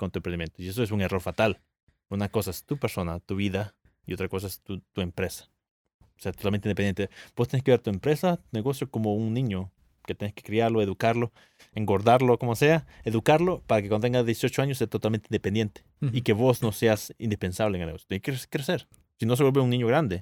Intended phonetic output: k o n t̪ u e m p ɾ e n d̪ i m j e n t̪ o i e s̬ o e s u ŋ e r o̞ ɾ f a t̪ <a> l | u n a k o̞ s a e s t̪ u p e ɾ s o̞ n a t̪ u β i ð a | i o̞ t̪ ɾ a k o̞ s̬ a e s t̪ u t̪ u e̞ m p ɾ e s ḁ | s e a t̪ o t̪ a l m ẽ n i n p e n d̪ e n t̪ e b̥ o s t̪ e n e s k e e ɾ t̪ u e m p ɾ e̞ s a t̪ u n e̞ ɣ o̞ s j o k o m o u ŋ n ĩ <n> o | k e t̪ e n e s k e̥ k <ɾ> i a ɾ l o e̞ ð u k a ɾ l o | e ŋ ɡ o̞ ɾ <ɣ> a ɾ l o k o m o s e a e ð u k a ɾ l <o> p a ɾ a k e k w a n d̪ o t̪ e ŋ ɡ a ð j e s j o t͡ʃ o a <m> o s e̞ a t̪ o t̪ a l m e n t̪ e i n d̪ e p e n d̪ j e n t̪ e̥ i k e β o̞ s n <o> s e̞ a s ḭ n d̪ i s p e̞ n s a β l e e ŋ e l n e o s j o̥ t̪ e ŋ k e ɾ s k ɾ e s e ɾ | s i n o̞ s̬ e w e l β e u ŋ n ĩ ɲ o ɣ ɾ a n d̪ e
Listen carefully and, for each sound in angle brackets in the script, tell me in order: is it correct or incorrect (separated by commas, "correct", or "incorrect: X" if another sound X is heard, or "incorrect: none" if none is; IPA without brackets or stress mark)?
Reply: correct, incorrect: ɲ, correct, incorrect: ð, correct, incorrect: ɲ, correct